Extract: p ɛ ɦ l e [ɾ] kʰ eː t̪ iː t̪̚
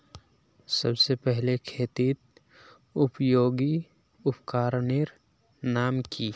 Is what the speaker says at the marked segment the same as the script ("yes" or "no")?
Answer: no